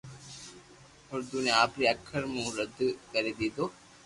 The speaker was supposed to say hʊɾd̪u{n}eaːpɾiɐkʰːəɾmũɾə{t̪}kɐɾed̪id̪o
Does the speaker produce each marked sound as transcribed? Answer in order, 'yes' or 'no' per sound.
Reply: yes, no

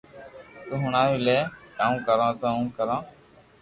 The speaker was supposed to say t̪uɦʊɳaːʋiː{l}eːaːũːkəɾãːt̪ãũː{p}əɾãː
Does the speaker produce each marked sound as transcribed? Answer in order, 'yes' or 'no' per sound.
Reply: yes, no

